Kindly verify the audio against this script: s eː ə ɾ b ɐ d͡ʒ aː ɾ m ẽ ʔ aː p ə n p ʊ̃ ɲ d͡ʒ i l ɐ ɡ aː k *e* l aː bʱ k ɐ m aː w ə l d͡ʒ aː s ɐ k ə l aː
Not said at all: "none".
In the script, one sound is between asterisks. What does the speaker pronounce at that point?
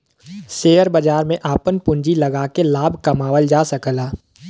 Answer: e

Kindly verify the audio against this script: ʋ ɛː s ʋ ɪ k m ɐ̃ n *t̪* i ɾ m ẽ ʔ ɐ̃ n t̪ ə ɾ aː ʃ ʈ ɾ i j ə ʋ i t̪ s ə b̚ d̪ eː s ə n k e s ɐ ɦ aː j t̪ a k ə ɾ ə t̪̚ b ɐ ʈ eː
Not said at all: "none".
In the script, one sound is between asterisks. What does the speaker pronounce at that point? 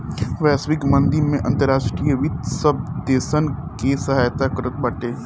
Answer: d̪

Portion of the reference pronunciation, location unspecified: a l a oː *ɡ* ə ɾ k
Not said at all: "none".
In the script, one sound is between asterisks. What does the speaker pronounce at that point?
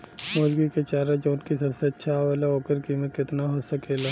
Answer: k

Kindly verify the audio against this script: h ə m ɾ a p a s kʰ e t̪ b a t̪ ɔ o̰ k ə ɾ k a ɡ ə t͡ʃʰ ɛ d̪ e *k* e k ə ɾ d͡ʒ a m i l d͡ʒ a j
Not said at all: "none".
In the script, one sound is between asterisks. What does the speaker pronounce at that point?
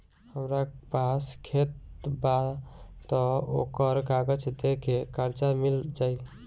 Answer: k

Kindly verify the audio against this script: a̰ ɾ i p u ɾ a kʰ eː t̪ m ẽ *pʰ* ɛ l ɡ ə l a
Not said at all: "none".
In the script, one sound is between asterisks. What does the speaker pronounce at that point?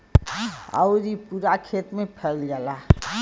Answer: pʰ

